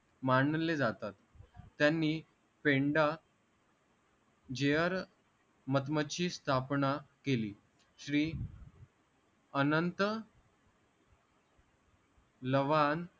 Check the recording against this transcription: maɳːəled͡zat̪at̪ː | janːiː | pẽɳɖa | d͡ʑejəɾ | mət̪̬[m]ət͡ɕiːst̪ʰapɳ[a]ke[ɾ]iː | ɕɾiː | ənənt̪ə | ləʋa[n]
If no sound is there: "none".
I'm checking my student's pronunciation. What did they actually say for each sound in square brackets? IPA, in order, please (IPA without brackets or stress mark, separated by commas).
m, a, l, n